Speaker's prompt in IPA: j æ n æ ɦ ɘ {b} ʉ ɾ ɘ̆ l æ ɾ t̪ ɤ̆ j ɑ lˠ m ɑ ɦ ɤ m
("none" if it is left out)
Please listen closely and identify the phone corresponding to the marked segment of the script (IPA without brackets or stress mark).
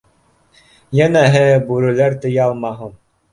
b